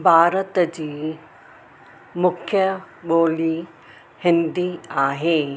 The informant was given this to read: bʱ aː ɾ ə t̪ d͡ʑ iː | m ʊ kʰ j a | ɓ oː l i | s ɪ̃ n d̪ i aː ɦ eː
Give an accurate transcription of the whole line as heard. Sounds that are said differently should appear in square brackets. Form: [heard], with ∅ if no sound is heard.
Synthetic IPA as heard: bʱ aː ɾ ə t̪ d͡ʑ iː | m ʊ kʰ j [ə] | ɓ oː l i | [h] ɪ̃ n d̪ i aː ɦ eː